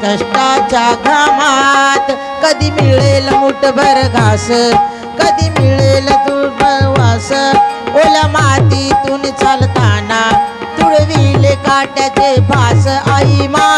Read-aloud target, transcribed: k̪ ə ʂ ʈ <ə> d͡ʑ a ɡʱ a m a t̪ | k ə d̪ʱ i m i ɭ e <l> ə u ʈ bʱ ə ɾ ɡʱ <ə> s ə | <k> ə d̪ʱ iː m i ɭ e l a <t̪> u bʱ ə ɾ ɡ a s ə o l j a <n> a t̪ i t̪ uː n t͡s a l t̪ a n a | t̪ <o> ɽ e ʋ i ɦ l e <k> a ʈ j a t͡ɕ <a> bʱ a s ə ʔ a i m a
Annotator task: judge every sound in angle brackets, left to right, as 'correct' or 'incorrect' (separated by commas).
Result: incorrect, correct, incorrect, correct, correct, incorrect, incorrect, correct, incorrect